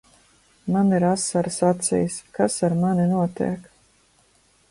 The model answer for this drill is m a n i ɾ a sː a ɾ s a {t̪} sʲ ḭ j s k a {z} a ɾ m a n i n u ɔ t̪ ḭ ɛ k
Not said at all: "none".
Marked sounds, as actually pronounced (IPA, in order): t̪, s

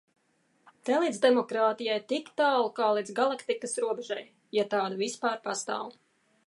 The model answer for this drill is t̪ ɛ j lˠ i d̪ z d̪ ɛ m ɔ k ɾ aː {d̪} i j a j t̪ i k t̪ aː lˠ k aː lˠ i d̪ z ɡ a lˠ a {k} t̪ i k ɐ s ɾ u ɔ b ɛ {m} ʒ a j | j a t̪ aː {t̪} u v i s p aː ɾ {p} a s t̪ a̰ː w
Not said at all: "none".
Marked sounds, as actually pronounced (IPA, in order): t̪, k, none, d̪, p

